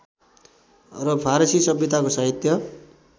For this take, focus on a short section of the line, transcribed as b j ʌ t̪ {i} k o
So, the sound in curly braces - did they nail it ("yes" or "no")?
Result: no